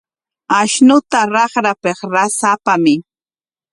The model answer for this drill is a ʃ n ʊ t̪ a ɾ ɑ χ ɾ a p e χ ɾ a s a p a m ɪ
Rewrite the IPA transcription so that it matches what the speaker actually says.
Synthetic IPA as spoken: a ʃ n ʊ t̪ a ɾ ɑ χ ɾ a p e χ ɾ a s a p a m ɪ